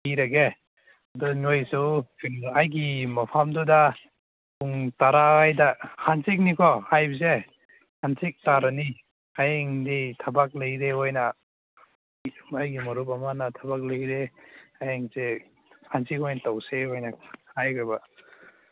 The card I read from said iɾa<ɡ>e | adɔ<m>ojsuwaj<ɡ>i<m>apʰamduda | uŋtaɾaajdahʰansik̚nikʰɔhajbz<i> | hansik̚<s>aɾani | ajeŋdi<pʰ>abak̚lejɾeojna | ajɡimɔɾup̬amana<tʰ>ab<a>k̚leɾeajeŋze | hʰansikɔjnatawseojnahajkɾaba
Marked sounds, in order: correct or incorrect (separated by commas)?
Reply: correct, incorrect, correct, correct, incorrect, incorrect, incorrect, correct, correct